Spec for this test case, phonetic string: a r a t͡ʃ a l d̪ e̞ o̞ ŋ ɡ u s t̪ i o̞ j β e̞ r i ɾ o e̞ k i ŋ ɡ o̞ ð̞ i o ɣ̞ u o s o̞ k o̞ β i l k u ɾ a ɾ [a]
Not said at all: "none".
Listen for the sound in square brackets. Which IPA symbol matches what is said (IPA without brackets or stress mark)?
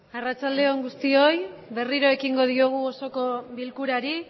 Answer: i